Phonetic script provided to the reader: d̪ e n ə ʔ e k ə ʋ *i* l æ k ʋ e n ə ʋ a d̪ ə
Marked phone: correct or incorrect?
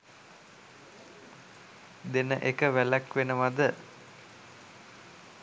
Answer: incorrect